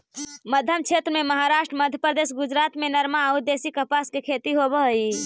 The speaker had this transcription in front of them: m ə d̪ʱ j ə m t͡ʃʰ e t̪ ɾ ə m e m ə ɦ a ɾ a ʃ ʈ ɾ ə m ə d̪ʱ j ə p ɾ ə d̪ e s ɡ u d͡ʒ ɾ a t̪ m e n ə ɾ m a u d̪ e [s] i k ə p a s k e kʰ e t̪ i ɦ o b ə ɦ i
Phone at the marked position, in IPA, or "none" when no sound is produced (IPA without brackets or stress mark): s